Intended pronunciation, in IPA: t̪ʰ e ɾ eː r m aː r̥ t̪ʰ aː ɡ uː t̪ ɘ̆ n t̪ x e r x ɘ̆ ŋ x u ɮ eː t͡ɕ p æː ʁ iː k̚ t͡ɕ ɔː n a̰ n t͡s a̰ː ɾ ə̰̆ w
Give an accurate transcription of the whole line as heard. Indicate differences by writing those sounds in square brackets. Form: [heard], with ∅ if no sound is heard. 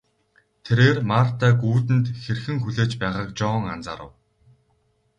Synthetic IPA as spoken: t̪ʰ e ɾ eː r m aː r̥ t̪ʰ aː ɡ uː t̪ ɘ̆ n t̪ x e r x ɘ̆ ŋ x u ɮ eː t͡ɕ p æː ʁ [aː] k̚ t͡ɕ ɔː [ŋ] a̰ n t͡s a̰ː ɾ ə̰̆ w